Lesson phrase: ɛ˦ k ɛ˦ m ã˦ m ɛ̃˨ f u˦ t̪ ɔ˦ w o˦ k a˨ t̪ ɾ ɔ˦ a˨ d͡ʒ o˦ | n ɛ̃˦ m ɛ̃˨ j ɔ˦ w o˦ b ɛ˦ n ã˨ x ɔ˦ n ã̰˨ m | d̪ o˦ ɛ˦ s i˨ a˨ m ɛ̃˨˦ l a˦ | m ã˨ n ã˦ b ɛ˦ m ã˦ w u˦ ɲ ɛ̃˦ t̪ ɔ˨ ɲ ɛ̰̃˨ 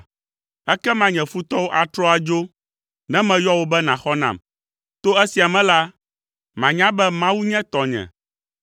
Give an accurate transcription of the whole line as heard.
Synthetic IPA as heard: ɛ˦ k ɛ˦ m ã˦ ɲ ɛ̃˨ f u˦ t̪ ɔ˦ w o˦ ʔ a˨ t̪ ɾ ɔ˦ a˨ d͡ʒ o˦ | n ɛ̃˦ m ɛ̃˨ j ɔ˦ w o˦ b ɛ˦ n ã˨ x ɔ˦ n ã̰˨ m | t̪ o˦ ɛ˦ s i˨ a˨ m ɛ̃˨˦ l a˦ | m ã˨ ɲ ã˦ b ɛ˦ m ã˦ w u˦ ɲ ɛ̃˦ t̪ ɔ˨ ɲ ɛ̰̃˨